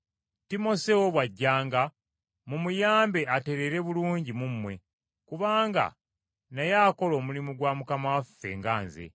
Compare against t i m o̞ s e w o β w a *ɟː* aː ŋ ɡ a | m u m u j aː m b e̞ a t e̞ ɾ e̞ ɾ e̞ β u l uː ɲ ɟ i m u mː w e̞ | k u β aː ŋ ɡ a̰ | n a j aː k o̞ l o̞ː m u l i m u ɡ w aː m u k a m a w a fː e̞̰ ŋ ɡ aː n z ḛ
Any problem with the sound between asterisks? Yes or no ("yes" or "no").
no